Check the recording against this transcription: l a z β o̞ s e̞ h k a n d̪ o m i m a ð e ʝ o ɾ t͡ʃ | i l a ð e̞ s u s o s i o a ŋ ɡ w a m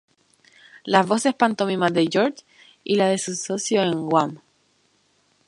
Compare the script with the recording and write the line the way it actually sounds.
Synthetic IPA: l a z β o̞ s e̞ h p a n t̪ o m i m a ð e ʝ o ɾ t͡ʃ | i l a ð e̞ s u s o s j o e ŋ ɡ w a m